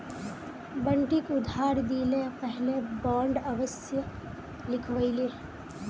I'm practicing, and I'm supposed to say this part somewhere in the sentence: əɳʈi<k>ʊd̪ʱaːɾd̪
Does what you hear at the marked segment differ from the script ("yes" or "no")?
no